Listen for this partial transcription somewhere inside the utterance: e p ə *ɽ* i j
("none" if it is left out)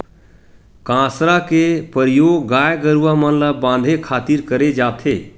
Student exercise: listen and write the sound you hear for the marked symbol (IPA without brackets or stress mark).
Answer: ɾ